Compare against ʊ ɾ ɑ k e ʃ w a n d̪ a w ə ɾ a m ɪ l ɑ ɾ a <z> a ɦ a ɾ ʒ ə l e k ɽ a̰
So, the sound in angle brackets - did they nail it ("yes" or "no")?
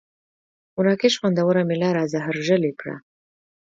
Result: yes